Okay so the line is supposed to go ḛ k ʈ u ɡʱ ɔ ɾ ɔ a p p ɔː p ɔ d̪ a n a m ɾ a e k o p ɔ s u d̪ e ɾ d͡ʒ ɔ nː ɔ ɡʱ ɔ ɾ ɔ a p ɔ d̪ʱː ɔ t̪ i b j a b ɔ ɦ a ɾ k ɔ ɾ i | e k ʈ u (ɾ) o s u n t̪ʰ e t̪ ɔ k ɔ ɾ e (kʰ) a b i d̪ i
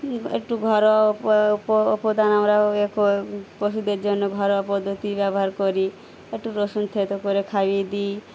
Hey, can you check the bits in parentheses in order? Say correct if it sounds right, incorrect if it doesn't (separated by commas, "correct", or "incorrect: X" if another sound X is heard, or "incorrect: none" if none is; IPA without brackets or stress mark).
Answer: correct, correct